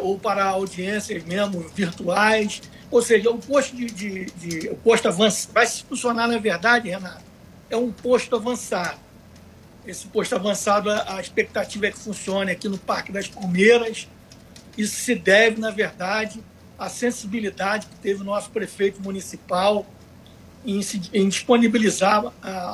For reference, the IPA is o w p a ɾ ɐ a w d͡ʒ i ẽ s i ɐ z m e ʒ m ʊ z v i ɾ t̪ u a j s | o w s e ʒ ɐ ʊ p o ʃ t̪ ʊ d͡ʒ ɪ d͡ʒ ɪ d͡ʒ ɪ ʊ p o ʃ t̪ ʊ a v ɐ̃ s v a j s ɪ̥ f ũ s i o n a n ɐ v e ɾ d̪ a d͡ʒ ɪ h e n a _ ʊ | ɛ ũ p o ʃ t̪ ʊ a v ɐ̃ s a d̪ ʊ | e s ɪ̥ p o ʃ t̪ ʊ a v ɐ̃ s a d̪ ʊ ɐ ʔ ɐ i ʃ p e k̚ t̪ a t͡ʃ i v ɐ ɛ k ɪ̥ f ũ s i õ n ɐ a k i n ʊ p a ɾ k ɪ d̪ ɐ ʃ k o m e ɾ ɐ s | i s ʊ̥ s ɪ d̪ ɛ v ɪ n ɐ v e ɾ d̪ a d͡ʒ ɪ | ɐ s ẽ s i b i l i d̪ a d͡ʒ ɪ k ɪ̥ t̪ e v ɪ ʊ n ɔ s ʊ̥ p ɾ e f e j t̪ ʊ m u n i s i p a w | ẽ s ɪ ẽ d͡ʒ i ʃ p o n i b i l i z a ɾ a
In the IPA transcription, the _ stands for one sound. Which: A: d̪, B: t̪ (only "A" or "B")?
B